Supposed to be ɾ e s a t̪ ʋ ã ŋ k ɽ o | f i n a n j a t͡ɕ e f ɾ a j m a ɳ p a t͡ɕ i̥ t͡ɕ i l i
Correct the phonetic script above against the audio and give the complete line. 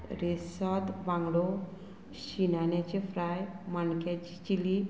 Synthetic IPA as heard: ɾ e s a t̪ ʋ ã ŋ ɡ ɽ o | ɕ i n a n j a t͡ɕ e f ɾ a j m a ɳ k a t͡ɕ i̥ t͡ɕ i l i

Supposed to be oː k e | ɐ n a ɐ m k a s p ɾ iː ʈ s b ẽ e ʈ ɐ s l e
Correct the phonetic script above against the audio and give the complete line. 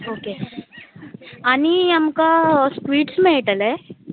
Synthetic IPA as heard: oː k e | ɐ n i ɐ m k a s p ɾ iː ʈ s m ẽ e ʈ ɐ l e

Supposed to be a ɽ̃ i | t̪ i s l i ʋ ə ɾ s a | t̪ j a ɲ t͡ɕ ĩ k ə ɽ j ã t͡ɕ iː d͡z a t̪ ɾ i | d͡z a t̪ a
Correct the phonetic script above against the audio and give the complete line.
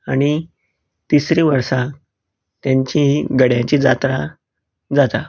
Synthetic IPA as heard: a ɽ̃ i | t̪ i s ɾ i ʋ ə ɾ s a | t̪ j a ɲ t͡ɕ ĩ ɡ ə ɽ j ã t͡ɕ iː d͡z a t̪ ɾ a | d͡z a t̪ a

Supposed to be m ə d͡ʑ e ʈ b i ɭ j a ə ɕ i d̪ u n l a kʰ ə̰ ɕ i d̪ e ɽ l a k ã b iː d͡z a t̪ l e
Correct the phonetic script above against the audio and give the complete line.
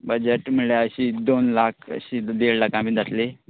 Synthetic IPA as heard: b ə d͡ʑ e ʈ m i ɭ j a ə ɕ i d̪ o n l a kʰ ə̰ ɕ i d̪ e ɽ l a k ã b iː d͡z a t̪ l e

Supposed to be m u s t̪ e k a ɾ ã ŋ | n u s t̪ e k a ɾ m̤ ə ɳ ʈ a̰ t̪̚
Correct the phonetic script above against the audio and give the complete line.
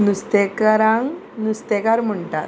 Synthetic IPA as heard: n u s t̪ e k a ɾ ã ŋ | n u s t̪ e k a ɾ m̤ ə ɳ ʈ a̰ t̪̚

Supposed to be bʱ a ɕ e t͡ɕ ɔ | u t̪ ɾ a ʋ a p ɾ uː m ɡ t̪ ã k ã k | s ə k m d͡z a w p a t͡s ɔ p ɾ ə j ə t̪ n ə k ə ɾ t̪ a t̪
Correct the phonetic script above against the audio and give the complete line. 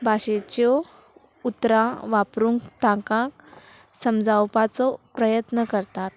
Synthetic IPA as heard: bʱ a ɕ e t͡ɕ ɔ | u t̪ ɾ a ʋ a p ɾ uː ŋ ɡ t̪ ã k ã k | s ə m d͡z a w p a t͡s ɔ p ɾ ə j ə t̪ n ə k ə ɾ t̪ a t̪

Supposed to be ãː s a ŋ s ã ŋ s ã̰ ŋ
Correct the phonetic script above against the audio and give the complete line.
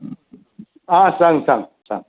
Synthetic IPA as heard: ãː s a ŋ s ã ŋ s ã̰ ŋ

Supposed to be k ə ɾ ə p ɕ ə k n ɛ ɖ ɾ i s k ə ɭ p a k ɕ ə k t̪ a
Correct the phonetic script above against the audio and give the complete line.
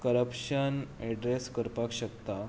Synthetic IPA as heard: k ə ɾ ə p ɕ ə n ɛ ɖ ɾ e s k ə ɾ p a k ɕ ə k t̪ a

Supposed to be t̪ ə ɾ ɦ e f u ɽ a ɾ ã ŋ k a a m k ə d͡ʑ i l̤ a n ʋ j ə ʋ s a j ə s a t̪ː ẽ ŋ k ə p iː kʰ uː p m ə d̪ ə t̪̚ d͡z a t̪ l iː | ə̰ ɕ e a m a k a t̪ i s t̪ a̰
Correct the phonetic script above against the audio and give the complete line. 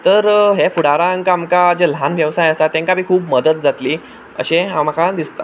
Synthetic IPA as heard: t̪ ə ɾ ɦ e f u ɽ a ɾ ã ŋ k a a m k a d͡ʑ e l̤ a n ʋ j ə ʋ s a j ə s a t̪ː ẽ ŋ k a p iː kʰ uː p m ə d̪ ə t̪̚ d͡z a t̪ l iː | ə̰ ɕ e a m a k a d̪ i s t̪ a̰

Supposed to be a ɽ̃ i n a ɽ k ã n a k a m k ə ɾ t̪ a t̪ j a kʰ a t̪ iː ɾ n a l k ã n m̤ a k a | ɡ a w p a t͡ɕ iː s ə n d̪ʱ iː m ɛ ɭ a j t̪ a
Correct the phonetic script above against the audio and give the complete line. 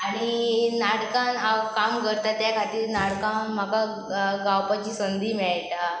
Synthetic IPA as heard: a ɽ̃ i n a ɽ k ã n a k a m k ə ɾ t̪ a t̪ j a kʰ a t̪ iː ɾ n a ɽ k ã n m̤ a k a | ɡ a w p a t͡ɕ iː s ə n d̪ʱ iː m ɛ ɭ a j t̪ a

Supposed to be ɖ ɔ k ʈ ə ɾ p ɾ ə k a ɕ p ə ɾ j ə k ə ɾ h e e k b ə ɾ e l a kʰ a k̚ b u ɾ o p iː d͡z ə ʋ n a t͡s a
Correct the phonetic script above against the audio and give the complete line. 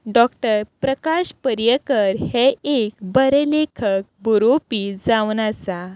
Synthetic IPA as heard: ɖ ɔ k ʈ ə ɾ p ɾ ə k a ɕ p ə ɾ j ə k ə ɾ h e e k b ə ɾ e l e kʰ ə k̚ b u ɾ o p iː d͡z a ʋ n a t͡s a

